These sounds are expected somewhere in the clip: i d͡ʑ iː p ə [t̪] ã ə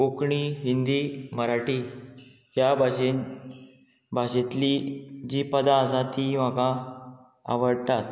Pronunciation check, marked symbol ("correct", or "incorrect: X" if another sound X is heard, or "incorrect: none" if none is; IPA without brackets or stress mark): incorrect: d̪